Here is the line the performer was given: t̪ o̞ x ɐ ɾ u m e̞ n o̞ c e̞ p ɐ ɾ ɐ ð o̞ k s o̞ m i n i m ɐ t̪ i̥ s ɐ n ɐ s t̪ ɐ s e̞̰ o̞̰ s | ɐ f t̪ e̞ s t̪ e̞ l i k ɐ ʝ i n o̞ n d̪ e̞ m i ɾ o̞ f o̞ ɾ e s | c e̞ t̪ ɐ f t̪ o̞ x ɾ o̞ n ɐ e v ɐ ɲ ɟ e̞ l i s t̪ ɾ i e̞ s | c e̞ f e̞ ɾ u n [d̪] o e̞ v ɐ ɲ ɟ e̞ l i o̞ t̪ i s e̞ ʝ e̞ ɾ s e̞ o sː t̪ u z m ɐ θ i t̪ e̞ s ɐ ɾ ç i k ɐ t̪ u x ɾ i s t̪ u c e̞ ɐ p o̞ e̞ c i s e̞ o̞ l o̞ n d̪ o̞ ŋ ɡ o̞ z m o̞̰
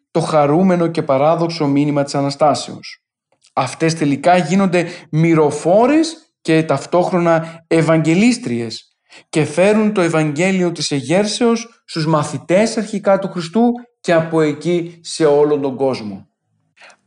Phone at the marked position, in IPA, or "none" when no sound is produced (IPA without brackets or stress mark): t̪